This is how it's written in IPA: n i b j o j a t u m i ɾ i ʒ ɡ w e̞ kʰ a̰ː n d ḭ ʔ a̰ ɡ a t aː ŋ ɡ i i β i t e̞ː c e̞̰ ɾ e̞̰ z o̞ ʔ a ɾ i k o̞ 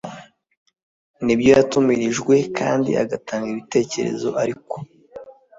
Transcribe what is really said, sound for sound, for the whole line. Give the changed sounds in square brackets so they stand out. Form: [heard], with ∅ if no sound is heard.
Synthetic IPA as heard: n i b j o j a t u m i ɾ i ʒ ɡ w e̞ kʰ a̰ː n d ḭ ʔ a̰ ɡ a t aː ŋ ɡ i i β i t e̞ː c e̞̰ ɾ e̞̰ z o̞ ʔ a ɾ i k o̞